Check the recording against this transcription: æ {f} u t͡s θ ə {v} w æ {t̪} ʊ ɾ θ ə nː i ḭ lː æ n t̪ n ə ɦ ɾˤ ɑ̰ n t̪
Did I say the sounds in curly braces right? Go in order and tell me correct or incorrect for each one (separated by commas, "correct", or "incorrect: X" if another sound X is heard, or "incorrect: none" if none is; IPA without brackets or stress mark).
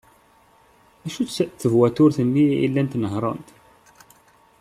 incorrect: ʃ, correct, correct